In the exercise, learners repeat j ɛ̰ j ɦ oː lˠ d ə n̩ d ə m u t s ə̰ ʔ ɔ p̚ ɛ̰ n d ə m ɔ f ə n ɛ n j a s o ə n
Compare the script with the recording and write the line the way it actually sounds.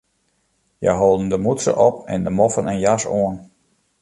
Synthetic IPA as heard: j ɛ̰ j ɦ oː lˠ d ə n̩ d ə m u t s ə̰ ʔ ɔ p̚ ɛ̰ n d ə m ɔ f ə n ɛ n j a s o ə n

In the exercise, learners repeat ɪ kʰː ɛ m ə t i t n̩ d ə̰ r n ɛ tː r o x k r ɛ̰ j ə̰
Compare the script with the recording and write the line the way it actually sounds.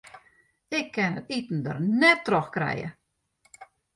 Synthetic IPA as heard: ɪ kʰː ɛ n ə t i t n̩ d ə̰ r n ɛ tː r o x k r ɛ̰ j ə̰

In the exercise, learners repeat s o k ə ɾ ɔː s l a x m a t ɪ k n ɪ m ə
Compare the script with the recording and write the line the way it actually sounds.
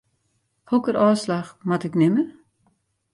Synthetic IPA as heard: h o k ə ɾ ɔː s l a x m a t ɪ k n ɪ m ə

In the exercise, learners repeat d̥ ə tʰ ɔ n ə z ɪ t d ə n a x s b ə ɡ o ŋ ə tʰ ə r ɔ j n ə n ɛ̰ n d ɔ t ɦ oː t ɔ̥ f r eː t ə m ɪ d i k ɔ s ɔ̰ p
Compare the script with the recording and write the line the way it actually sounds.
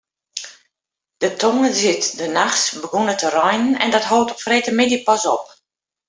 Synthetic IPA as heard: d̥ ə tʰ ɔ ŋ ə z ɪ t d ə n a x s b ə ɡ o n ə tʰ ə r ɔ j n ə n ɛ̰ n d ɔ t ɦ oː t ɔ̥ f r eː t ə m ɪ d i p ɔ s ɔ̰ p

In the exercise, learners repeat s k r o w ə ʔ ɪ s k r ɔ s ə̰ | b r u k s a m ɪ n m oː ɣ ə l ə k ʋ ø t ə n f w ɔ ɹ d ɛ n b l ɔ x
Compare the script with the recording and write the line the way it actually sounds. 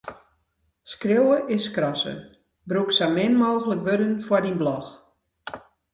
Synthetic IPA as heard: s k r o w ə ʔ ɪ s k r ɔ s ə̰ | b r u k s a m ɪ n m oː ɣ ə l ə k ʋ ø d ə n f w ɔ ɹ d i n b l ɔ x

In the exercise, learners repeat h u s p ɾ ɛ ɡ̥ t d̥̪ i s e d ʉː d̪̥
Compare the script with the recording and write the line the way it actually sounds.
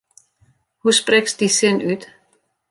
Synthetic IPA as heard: h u s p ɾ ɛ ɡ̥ s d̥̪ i s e n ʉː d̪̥

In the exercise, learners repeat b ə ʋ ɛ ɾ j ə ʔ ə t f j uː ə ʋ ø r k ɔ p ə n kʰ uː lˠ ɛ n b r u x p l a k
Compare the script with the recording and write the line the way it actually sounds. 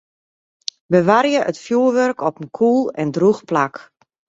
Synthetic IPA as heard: b ə ʋ a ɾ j ə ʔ ə t f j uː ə ʋ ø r k ɔ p ə n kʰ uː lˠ ɛ n d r u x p l a k

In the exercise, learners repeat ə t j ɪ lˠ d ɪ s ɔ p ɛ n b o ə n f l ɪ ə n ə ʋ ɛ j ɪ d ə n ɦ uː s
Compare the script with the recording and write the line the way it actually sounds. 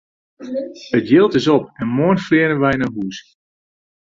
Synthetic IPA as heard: ə t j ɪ lˠ t ɪ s ɔ p ɛ n m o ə n f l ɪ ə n ə ʋ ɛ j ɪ n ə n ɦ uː s

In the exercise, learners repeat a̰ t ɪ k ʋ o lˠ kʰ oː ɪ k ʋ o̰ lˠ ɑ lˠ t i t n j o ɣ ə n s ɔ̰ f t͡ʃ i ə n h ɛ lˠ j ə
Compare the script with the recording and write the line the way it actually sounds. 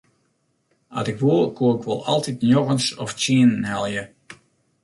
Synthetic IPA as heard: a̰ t ɪ k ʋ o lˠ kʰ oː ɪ k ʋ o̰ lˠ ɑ lˠ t i t n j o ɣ ə n s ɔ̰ f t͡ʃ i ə n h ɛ lˠ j ə

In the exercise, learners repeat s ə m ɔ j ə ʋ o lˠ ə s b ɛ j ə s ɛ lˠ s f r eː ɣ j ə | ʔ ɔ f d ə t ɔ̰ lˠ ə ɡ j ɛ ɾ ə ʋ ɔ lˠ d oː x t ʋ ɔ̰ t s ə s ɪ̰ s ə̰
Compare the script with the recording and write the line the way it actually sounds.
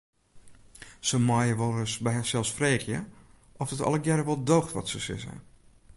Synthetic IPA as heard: s ə m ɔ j ə ʋ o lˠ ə s b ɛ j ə s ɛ lˠ s f r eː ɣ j ə | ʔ ɔ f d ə t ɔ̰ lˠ ə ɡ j ɛ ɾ ə ʋ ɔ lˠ d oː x t ʋ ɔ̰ t s ə s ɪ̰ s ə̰

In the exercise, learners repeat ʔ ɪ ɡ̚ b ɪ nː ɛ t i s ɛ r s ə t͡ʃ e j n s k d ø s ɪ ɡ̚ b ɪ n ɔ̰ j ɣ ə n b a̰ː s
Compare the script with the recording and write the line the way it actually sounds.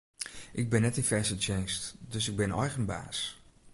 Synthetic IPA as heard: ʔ ɪ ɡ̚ b ɪ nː ɛ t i f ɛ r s ə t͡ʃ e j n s t d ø s ɪ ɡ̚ b ɪ n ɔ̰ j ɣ ə n b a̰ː s

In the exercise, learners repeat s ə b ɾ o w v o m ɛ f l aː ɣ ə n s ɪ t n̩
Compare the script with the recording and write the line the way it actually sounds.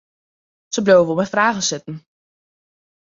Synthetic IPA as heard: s ə b l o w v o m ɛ f r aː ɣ ə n s ɪ t n̩

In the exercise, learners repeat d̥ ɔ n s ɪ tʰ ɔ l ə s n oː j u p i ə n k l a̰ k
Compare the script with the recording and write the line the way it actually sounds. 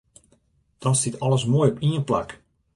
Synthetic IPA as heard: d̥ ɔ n s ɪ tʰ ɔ l ə s m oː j ɔ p i ə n p l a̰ k

